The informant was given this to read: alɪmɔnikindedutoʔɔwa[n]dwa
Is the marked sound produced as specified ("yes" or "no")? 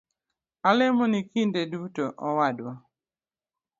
no